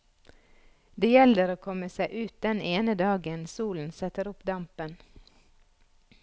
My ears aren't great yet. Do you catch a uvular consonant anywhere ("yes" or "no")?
no